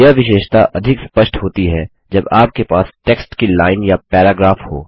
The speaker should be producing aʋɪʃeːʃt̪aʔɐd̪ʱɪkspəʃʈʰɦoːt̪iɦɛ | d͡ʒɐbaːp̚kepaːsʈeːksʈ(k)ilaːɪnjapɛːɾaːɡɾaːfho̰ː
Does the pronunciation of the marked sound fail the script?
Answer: no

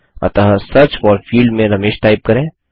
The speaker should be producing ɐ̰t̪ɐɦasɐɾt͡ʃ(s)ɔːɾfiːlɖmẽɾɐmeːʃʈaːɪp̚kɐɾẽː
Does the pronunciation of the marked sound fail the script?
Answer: yes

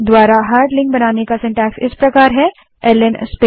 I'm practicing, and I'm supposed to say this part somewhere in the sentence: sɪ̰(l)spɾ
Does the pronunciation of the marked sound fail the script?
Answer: yes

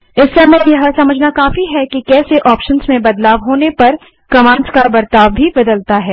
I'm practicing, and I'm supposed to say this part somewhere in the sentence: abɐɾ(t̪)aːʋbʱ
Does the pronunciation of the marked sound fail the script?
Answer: no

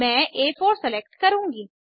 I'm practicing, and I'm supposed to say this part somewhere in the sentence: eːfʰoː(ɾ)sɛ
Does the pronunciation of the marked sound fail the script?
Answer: no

